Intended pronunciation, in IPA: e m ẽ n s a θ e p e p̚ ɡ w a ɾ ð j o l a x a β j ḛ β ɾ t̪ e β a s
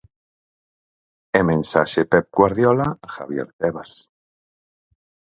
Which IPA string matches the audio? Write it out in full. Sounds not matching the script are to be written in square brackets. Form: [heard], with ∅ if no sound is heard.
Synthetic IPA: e m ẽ n s a [ʃ] e p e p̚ ɡ w a ɾ ð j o l a x a β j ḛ [∅] ɾ t̪ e β a s